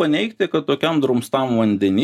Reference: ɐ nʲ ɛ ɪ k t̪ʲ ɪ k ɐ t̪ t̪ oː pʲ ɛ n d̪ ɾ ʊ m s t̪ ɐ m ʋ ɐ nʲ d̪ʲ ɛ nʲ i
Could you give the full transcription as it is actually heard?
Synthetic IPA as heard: ɐ nʲ ɛ ɪ k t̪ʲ ɪ k ɐ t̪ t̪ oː kʲ ɛ m d̪ ɾ ʊ m s t̪ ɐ m ʋ ɐ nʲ d̪ʲ ɛ nʲ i